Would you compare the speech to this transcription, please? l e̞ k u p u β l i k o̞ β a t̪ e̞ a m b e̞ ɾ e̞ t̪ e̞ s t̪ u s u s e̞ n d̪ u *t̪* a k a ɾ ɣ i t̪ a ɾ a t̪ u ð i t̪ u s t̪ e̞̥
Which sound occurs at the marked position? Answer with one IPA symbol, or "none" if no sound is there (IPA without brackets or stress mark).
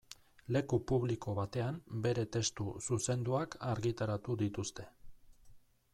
none